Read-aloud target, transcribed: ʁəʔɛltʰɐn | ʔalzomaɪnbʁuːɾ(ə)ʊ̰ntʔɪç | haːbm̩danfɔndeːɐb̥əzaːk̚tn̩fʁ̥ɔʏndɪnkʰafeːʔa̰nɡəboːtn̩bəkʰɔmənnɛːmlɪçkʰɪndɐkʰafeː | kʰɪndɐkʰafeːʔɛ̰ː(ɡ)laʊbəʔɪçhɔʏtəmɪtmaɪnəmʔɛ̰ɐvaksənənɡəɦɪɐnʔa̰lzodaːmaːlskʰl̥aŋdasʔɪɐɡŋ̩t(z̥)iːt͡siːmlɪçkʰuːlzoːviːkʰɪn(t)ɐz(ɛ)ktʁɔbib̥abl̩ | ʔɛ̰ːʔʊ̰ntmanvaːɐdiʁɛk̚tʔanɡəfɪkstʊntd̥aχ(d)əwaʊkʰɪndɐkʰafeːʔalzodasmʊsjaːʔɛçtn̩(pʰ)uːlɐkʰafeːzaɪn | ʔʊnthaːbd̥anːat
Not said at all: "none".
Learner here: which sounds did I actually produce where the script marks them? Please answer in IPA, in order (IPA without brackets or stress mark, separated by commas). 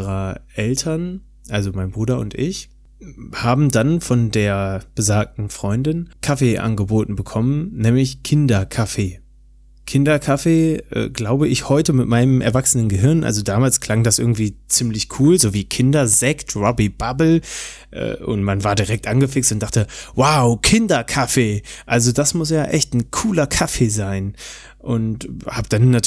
ɐ, ɡ, v̥, d, ɛ, t, kʰ